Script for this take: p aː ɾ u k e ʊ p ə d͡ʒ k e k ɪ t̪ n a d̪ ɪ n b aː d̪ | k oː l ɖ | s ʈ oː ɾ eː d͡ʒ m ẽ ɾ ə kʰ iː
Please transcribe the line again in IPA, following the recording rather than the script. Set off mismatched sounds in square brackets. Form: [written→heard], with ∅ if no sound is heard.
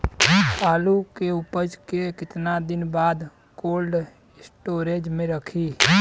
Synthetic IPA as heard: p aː [ɾ→l] u k e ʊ p ə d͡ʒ k e k ɪ t̪ n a d̪ ɪ n b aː d̪ | k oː l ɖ | s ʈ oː ɾ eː d͡ʒ m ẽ ɾ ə kʰ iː